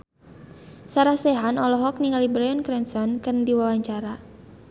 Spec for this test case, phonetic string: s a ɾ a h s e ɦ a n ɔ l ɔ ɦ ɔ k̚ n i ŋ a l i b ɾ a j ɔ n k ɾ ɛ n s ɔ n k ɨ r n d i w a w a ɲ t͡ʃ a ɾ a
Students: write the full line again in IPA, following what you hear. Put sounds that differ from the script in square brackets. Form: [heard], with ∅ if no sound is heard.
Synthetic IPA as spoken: s a ɾ a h s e ɦ a n ɔ l ɔ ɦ ɔ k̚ n i ŋ a l i b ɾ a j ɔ n k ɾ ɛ n s ɔ n k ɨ r n d i w a w a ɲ t͡ʃ a ɾ a

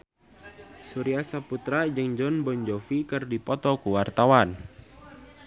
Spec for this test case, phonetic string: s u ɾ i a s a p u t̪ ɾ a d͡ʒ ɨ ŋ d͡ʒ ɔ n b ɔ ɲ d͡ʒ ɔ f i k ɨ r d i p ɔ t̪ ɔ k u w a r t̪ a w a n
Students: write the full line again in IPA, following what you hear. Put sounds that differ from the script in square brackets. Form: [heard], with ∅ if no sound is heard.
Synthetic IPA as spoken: s u ɾ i a s a p u t̪ ɾ a d͡ʒ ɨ ŋ d͡ʒ ɔ n b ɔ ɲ d͡ʒ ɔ f i k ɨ r d i p ɔ t̪ ɔ k u w a r t̪ a w a n

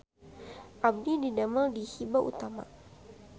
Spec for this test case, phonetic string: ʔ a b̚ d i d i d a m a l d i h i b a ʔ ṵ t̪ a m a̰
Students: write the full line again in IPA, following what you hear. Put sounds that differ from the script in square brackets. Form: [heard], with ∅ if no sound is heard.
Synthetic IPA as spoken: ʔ a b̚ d i d i d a m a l d i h i b a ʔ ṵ t̪ a m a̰

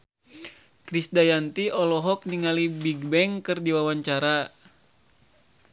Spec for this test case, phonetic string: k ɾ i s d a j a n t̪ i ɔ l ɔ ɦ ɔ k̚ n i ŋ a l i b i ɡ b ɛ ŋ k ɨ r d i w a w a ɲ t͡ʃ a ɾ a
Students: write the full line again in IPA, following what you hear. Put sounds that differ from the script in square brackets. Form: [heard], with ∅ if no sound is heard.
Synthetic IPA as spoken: k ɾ i s d a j a n t̪ i ɔ l ɔ ɦ ɔ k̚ n i ŋ a l i b i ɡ b ɛ ŋ k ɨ r d i w a w a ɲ t͡ʃ a ɾ a

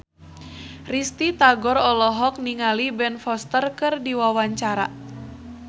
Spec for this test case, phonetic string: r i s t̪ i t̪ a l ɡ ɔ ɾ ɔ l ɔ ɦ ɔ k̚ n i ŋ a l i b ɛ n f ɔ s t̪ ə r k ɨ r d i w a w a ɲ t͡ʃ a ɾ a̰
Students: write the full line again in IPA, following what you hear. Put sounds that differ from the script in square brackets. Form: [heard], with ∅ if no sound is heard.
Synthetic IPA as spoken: r i s t̪ i t̪ a [∅] ɡ ɔ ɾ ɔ l ɔ ɦ ɔ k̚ n i ŋ a l i b ɛ n f ɔ s t̪ ə r k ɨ r d i w a w a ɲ t͡ʃ a ɾ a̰

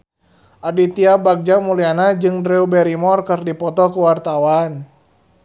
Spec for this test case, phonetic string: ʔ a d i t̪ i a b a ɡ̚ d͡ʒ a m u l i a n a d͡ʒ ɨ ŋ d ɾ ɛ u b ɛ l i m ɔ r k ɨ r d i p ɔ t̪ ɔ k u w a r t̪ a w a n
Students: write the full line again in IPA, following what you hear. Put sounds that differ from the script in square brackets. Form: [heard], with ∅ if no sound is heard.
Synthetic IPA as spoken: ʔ a d i t̪ i a b a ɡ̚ d͡ʒ a m u l i a n a d͡ʒ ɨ ŋ d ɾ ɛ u b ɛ [ɾ] i m ɔ r k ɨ r d i p ɔ t̪ ɔ k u w a r t̪ a w a n

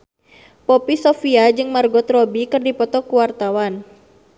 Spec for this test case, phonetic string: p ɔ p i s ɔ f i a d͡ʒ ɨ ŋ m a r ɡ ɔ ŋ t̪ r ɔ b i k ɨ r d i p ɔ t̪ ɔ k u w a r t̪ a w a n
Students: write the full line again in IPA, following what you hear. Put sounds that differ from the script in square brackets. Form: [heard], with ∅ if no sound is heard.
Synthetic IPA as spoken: p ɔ p i s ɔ f i a d͡ʒ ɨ ŋ m a r ɡ ɔ [∅] t̪ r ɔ b i k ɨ r d i p ɔ t̪ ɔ k u w a r t̪ a w a n

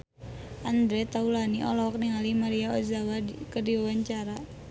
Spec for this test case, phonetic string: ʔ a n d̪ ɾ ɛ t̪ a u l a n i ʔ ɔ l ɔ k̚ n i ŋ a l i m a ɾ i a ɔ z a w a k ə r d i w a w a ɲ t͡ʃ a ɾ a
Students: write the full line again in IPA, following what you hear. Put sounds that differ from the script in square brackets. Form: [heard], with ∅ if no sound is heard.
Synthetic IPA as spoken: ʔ a n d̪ ɾ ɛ t̪ a u l a n i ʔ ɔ l ɔ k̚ n i ŋ a l i m a ɾ i a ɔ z a w a k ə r d i w a w a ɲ t͡ʃ a ɾ a

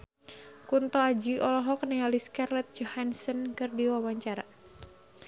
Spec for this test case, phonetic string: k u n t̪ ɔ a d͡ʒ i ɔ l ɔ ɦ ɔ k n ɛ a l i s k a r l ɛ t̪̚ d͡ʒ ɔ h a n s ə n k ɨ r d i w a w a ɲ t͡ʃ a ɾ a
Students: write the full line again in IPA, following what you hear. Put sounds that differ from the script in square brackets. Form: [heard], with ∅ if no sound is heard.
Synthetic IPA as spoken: k u n t̪ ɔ a d͡ʒ i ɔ l ɔ ɦ ɔ k n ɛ a l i s k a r l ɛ t̪̚ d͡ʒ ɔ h a n s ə n k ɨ r d i w a w a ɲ t͡ʃ a ɾ a

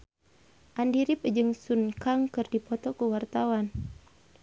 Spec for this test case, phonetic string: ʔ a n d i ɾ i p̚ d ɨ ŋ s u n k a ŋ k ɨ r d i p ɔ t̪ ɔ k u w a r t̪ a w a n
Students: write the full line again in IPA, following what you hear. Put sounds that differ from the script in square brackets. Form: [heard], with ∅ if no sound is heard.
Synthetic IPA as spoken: ʔ a n d i ɾ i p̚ [d͡ʒ] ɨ ŋ s u n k a ŋ k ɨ r d i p ɔ t̪ ɔ k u w a r t̪ a w a n

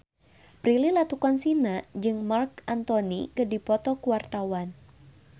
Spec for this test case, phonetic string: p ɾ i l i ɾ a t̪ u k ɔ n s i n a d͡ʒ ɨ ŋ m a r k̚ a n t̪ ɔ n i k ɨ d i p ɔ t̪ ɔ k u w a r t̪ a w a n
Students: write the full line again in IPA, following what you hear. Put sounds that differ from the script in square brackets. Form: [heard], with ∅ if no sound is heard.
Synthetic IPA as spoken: p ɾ i l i [l] a t̪ u k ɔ n s i n a d͡ʒ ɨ ŋ m a r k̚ a n t̪ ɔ n i k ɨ d i p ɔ t̪ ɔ k u w a r t̪ a w a n

